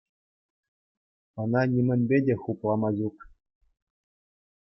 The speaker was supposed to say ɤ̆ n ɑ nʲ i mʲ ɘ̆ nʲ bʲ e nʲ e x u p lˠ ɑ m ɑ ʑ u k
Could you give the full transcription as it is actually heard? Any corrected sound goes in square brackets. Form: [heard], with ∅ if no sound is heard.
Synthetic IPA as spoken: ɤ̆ n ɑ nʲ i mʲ ɘ̆ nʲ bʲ e [dʲ] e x u p lˠ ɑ m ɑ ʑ u k

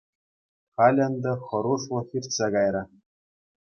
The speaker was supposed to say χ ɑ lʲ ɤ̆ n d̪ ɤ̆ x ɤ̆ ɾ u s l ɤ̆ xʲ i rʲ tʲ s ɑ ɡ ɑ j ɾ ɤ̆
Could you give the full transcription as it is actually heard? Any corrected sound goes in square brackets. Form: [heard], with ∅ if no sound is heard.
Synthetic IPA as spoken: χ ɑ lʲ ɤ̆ n d̪ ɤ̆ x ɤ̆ ɾ u [ʂ] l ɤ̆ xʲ i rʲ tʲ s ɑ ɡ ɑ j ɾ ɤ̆

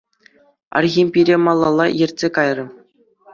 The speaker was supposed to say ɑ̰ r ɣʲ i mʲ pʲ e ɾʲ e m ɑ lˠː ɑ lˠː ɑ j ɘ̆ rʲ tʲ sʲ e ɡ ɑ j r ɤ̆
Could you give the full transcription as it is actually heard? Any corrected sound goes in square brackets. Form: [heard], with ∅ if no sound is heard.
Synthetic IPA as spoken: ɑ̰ r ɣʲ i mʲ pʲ [i] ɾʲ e m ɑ lˠː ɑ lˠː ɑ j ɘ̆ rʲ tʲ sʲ e [k] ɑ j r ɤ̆

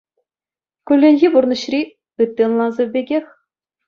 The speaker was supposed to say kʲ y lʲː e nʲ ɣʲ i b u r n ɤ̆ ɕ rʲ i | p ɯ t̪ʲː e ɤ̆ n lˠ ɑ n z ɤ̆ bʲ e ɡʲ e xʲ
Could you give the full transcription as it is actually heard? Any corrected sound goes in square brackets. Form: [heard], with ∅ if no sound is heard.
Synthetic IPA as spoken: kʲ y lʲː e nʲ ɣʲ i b u r n ɤ̆ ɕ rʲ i | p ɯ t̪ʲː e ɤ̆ n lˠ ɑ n z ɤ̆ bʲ e ɡʲ e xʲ

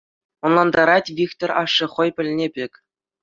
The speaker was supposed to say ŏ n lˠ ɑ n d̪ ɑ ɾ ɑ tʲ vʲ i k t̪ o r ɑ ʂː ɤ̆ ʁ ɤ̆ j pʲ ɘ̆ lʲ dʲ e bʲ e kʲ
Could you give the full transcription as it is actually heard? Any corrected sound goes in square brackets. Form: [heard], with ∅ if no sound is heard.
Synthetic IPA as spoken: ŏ n lˠ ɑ n d̪ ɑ ɾ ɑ tʲ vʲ i k t̪ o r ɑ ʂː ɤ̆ [χ] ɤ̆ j pʲ ɘ̆ lʲ [nʲ] e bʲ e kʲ

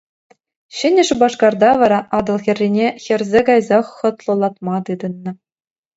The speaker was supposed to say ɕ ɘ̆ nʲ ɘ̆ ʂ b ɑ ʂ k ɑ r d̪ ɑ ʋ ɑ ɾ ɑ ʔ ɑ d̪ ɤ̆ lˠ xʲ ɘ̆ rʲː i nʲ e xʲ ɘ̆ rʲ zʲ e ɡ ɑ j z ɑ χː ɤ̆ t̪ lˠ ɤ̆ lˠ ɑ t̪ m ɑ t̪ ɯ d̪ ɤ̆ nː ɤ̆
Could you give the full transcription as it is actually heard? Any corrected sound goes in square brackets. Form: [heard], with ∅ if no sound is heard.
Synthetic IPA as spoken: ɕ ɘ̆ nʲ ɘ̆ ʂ b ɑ ʂ k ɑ r d̪ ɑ ʋ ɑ ɾ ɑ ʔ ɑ d̪ ɤ̆ lˠ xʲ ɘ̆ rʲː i nʲ e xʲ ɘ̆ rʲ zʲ e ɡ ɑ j z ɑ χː ɤ̆ t̪ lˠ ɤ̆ lˠ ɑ t̪ m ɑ t̪ ɯ d̪ ɤ̆ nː ɤ̆

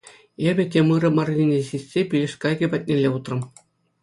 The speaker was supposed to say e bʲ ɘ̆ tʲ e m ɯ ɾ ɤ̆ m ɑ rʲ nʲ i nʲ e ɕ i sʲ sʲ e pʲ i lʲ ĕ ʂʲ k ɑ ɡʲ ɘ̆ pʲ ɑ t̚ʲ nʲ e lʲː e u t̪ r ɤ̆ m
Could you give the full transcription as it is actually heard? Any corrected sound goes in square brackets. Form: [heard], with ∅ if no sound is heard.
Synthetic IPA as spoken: e bʲ ɘ̆ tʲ e m ɯ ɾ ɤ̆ m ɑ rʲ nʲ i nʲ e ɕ i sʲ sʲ e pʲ i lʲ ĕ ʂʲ k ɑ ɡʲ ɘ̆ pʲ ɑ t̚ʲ nʲ e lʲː e u t̪ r ɤ̆ m

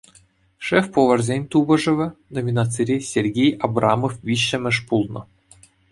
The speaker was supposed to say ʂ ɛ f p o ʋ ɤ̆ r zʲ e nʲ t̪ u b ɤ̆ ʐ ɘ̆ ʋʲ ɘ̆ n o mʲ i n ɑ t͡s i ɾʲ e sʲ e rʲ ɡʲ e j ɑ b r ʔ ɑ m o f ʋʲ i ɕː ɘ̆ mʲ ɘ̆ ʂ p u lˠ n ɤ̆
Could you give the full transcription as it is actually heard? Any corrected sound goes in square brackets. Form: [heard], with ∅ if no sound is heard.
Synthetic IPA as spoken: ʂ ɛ f p o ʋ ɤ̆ r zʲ e nʲ t̪ u b ɤ̆ ʐ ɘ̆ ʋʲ ɘ̆ n o mʲ i n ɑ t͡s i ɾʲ e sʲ e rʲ ɡʲ e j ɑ b r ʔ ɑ m o f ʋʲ i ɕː ɘ̆ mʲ ɘ̆ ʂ p u lˠ n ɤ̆

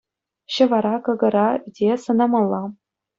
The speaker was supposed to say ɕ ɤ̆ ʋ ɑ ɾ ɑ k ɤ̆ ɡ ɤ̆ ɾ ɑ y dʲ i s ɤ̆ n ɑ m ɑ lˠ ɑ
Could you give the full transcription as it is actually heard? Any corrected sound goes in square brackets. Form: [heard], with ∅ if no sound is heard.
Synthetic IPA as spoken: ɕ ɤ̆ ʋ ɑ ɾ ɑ k ɤ̆ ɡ ɤ̆ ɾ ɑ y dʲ [e] s ɤ̆ n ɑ m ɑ [lˠː] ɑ

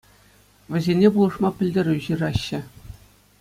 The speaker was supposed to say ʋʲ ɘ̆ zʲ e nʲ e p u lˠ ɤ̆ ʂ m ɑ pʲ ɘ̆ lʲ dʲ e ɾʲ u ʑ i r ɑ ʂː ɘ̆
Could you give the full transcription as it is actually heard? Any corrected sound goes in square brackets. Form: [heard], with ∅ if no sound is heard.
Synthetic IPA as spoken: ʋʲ ɘ̆ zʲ e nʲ e p u lˠ ɤ̆ ʂ m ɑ pʲ ɘ̆ lʲ dʲ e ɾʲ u ʑ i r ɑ [ɕː] ɘ̆

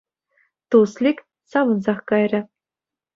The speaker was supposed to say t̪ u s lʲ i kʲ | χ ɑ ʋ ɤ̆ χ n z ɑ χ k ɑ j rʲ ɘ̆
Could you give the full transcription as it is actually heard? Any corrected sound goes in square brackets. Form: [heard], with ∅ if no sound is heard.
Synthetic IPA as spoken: t̪ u s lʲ i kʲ | [s] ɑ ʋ ɤ̆ [∅] n z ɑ χ k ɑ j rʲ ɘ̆

